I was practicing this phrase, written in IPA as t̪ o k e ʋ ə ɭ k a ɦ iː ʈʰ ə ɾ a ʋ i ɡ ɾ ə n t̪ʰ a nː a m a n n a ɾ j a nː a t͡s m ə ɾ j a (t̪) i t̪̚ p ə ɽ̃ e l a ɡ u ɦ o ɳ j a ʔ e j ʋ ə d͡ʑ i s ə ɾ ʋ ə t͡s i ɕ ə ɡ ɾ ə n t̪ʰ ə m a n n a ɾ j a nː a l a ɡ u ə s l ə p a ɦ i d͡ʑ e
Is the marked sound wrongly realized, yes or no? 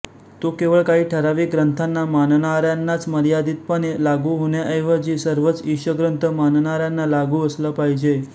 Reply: yes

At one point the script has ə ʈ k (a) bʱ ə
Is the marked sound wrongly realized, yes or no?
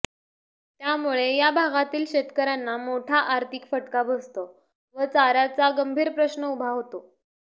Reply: no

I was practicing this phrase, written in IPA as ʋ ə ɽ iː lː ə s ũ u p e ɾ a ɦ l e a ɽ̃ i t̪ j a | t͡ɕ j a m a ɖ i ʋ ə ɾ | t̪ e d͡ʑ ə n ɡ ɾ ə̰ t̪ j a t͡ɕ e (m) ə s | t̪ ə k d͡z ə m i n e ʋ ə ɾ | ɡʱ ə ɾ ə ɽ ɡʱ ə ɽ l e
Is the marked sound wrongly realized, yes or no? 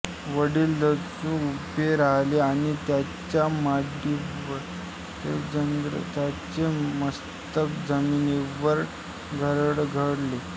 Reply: no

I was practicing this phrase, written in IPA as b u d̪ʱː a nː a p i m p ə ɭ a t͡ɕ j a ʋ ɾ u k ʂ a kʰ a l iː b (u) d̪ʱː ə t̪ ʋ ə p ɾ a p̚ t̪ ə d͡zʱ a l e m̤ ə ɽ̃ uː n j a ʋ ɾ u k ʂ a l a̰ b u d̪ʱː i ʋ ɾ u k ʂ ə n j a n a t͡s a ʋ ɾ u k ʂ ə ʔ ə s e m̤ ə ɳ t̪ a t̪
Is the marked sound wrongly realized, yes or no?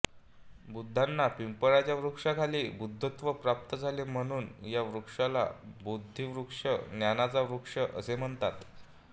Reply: no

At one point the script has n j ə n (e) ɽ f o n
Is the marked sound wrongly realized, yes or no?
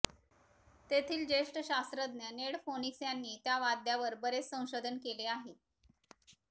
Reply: no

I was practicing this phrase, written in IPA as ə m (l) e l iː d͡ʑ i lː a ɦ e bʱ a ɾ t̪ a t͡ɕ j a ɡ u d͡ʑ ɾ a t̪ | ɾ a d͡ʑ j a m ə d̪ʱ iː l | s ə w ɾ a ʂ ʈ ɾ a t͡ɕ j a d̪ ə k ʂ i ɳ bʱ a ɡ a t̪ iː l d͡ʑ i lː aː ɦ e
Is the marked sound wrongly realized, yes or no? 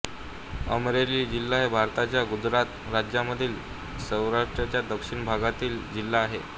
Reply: yes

